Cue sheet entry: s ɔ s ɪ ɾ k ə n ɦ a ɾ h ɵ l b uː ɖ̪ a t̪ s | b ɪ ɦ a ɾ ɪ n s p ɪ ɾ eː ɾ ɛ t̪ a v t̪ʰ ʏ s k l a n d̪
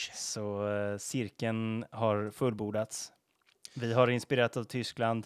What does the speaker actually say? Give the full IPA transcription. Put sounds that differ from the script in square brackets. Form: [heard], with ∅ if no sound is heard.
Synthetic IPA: s ɔ s ɪ ɾ k ə n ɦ a ɾ [f] ɵ l b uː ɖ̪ a t̪ s | [v] ɪ ɦ a ɾ ɪ n s p ɪ ɾ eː ɾ [a] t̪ a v t̪ʰ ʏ s k l a n d̪